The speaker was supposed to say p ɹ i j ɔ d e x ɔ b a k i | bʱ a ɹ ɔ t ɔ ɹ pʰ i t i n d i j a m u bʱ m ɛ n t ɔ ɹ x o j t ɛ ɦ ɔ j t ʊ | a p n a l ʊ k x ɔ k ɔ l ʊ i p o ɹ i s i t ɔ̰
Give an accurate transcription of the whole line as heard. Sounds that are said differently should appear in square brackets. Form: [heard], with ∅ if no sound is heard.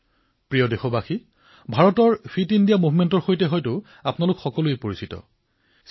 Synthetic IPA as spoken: p ɹ i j ɔ d e x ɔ b a [x] i | bʱ a ɹ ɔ t ɔ ɹ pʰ i t i n d i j a m u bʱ m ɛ n t ɔ ɹ x o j t ɛ ɦ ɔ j t ʊ | a p n a l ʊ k x ɔ k ɔ l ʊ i p o ɹ i s i t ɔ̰